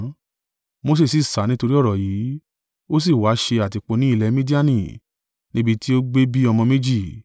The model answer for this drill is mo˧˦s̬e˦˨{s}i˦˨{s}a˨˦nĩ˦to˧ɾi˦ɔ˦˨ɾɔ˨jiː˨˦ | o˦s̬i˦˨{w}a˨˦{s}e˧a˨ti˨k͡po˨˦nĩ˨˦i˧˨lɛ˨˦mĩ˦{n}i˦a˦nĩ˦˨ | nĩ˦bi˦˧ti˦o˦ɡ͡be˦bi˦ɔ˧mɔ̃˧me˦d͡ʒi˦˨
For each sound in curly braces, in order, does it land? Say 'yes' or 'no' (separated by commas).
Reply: yes, yes, yes, no, no